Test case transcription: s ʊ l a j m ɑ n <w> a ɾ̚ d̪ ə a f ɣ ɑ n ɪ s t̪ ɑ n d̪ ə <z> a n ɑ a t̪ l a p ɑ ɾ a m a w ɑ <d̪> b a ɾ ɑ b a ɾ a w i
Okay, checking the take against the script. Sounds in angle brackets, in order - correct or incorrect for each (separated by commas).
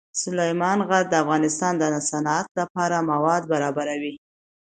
incorrect, incorrect, correct